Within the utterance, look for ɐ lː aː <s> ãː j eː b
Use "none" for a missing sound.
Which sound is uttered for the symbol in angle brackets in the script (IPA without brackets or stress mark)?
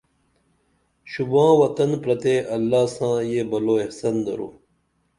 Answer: s